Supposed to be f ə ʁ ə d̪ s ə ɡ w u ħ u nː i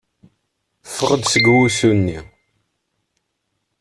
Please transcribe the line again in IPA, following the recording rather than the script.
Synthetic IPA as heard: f ə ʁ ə d̪ s ə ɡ w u s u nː i